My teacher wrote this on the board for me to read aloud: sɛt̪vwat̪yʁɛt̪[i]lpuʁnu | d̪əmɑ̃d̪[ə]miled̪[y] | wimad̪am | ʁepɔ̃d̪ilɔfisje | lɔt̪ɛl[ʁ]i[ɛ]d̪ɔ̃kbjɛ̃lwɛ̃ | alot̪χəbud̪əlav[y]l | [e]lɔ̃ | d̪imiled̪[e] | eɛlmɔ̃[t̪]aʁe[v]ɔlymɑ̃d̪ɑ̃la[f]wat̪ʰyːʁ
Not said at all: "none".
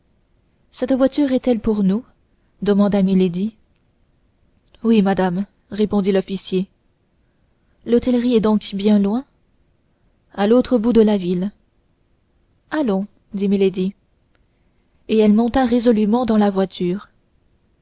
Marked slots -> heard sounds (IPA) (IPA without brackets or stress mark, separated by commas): ɛ, a, i, ʁ, ɛ, i, a, i, t̪, z, v